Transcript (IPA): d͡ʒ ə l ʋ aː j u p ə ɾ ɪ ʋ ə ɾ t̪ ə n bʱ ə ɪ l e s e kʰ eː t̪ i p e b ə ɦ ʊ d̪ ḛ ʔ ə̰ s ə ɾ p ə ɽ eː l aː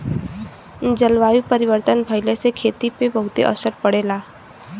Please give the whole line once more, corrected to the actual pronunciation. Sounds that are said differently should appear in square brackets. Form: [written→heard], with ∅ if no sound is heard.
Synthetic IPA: d͡ʒ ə l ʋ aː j u p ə ɾ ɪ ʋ ə ɾ t̪ ə n bʱ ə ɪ l e s e kʰ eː t̪ i p e b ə ɦ ʊ [d̪→t̪] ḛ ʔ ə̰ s ə ɾ p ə ɽ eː l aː